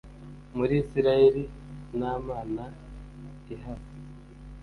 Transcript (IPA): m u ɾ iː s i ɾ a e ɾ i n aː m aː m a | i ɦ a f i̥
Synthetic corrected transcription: m u ɾ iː s i ɾ a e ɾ i n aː m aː n a | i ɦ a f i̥